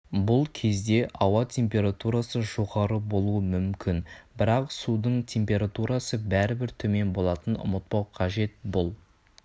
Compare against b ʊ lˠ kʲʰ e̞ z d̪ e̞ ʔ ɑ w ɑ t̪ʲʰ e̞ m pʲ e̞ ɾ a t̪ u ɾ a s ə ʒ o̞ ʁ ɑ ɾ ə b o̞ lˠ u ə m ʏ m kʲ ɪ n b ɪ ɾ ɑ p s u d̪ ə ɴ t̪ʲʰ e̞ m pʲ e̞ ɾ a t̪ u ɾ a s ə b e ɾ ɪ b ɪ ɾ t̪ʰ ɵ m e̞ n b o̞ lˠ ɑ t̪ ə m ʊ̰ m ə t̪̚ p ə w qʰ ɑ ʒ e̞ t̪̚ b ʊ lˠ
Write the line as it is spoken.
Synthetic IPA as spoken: b ʊ lˠ kʲʰ e̞ z d̪ e̞ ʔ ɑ w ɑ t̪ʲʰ e̞ m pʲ e̞ ɾ a t̪ u ɾ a s ə ʒ o̞ ʁ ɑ ɾ ə b o̞ lˠ u ə m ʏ m kʲ ɪ n b ɪ ɾ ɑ q s u d̪ ə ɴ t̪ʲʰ e̞ m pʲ e̞ ɾ a t̪ u ɾ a s ə b æ ɾ ɪ b ɪ ɾ t̪ʰ ɵ m e̞ n b o̞ lˠ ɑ t̪ ə n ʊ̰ m ə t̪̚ p ɑ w qʰ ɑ ʒ e̞ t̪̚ b ʊ lˠ